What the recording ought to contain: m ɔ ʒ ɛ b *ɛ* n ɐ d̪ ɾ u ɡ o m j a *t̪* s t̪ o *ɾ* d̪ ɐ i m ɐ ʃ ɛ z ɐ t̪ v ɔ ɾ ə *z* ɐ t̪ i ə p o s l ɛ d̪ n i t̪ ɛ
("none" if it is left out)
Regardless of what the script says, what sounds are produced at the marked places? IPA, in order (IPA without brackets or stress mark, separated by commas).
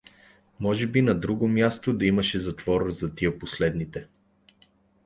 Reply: i, none, none, z